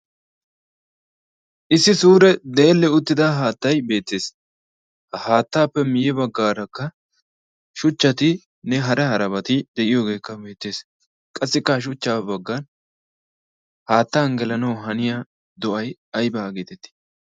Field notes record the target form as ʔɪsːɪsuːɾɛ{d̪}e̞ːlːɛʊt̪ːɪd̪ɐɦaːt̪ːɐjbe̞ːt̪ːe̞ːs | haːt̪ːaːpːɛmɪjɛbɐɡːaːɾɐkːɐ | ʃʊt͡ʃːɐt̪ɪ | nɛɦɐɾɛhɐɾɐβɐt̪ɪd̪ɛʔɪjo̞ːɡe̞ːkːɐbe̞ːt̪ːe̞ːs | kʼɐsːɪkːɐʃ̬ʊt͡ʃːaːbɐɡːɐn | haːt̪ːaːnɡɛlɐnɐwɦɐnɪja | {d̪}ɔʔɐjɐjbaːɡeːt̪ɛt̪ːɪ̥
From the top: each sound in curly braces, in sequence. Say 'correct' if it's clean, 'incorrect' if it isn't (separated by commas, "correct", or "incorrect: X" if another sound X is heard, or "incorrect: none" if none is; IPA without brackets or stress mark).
correct, correct